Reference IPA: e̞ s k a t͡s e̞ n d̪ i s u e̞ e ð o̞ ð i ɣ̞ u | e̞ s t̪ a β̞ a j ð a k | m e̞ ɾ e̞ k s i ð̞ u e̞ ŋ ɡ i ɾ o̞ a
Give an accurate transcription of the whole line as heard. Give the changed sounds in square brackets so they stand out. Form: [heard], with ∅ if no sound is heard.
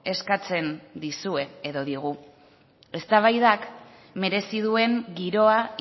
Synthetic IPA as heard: e̞ s k a t͡s e̞ n d̪ i s u e̞ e ð o̞ ð i ɣ̞ u | e̞ s t̪ a β̞ a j ð a k | m e̞ ɾ e̞ [∅] s i ð̞ u e̞ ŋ ɡ i ɾ o̞ a